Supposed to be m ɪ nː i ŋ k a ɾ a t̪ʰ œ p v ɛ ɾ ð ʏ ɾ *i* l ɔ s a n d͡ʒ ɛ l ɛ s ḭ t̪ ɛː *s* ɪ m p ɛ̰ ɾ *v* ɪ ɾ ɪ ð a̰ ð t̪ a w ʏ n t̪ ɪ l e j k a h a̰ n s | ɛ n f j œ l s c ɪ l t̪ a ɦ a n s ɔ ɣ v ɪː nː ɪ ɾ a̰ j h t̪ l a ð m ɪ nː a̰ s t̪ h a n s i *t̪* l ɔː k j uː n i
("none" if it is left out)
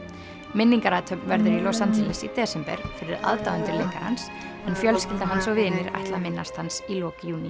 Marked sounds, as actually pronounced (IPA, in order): i, s, f, none

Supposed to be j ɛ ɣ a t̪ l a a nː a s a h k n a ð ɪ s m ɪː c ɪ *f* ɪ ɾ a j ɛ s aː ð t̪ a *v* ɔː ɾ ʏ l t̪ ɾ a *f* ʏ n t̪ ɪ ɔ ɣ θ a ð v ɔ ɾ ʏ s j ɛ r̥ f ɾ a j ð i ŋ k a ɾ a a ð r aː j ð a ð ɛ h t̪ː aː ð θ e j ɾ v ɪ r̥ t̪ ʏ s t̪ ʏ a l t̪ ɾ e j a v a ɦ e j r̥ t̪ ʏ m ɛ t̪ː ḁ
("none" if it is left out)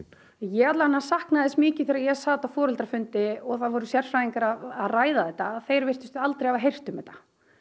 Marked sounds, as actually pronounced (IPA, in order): θ, f, f

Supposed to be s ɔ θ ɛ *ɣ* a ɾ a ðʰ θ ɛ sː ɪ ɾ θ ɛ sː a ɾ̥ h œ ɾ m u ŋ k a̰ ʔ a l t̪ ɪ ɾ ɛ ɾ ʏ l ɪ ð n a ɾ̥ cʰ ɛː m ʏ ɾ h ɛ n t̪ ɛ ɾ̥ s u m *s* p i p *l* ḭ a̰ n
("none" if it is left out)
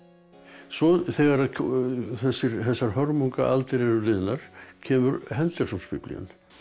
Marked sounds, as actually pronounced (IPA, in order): ɣ, s, l

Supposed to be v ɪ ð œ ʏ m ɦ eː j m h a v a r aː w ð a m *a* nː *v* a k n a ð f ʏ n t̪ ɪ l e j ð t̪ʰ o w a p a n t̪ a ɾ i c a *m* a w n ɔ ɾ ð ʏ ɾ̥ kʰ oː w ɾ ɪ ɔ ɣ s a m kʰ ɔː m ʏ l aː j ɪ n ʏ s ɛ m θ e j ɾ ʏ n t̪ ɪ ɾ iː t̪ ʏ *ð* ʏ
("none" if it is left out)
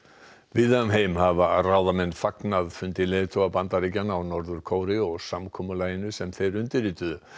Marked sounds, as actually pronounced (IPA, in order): ɛ, f, n, ð

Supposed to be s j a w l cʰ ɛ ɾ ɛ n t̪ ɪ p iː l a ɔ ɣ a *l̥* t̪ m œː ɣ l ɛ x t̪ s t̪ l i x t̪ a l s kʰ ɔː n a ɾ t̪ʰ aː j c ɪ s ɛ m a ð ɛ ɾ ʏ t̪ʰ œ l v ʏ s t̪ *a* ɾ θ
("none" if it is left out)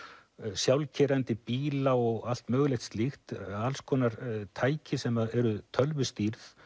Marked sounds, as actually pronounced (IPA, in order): l̥, i

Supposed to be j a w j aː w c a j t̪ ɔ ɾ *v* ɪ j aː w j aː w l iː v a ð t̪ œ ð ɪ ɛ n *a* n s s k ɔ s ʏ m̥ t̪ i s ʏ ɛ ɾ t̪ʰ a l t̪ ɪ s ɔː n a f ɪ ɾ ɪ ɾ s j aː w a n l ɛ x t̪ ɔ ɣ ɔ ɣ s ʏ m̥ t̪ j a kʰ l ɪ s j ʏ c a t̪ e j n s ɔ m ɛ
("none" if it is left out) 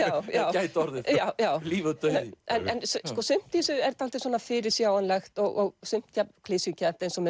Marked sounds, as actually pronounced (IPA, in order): ð, ɛ

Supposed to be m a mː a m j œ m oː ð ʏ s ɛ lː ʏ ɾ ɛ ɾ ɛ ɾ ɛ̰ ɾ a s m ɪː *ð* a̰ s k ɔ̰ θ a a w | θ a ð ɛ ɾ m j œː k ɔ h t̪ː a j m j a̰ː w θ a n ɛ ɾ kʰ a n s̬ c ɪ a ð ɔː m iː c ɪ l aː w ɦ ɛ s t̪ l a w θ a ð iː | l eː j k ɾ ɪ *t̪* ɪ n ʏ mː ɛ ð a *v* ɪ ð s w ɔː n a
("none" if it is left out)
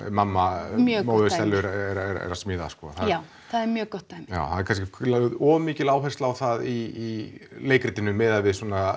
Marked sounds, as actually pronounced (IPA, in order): ð, t̪, v

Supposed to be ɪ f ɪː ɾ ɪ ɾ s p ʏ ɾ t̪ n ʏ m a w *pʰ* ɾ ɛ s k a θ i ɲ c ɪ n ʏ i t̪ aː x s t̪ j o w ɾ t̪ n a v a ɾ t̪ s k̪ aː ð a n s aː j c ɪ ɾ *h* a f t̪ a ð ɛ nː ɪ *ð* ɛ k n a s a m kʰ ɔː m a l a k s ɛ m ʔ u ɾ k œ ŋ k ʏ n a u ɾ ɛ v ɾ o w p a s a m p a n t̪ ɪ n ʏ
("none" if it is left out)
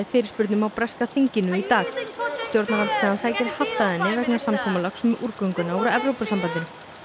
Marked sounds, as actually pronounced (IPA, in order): p, h, v

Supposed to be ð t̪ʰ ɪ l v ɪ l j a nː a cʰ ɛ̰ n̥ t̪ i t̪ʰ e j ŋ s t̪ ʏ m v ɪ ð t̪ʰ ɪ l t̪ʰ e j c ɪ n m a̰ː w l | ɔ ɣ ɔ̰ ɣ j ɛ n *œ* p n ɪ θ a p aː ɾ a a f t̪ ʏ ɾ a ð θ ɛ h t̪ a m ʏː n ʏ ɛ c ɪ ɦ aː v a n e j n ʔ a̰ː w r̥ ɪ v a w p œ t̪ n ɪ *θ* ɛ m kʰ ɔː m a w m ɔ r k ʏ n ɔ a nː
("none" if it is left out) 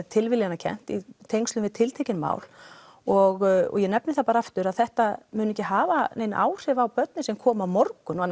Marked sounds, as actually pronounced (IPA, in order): ɛ, s

